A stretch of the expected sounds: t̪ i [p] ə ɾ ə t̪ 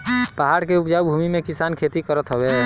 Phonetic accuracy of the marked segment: incorrect: k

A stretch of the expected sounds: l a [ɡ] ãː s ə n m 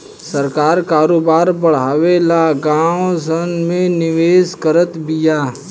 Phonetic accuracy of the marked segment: correct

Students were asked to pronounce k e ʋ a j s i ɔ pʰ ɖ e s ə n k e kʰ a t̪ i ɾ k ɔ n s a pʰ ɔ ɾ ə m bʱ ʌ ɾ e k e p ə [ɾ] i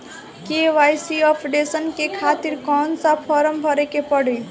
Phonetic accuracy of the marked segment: incorrect: ɽ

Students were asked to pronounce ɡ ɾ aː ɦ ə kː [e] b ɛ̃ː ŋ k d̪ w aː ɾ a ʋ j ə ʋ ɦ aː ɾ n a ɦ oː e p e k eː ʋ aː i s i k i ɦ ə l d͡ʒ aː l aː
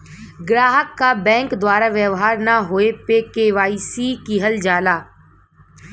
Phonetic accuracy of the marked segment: incorrect: a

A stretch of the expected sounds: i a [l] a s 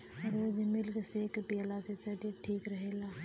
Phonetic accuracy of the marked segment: correct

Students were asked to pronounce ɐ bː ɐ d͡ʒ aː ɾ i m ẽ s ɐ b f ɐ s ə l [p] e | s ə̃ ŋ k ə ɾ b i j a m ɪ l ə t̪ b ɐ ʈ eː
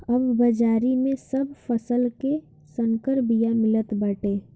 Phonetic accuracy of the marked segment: incorrect: k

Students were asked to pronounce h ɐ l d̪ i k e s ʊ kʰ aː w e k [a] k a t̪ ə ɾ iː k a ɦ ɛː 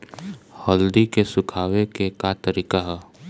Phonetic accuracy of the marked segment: incorrect: e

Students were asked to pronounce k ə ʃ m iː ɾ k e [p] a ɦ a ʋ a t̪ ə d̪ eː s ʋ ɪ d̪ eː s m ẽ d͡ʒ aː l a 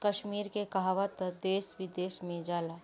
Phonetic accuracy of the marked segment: incorrect: k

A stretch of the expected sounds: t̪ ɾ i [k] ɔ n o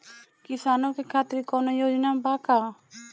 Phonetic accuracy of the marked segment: correct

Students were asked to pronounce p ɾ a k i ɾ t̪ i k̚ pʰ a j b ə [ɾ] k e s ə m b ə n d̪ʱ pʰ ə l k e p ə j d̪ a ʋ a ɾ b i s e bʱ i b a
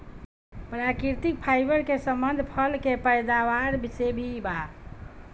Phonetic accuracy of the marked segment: correct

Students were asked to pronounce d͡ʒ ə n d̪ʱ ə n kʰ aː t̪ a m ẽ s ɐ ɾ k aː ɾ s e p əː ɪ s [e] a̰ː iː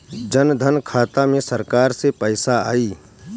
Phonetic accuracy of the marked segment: incorrect: a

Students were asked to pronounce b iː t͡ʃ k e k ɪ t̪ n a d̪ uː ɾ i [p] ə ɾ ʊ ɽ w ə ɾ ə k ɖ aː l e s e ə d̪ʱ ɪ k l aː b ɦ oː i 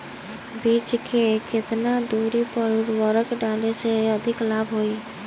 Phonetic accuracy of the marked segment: correct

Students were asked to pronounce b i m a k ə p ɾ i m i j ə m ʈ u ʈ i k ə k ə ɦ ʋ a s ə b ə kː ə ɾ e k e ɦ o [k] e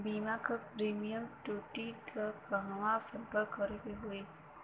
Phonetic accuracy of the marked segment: incorrect: none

